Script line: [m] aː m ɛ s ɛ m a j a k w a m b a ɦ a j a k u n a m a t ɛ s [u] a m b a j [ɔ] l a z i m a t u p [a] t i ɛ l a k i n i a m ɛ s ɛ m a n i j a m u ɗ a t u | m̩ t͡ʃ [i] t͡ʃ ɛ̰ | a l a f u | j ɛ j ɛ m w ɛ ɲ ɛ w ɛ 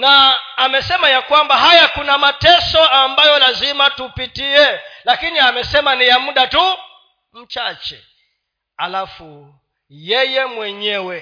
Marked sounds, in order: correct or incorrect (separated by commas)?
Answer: incorrect, incorrect, correct, incorrect, incorrect